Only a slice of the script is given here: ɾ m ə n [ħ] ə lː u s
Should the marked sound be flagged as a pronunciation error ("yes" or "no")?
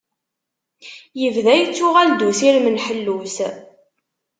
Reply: no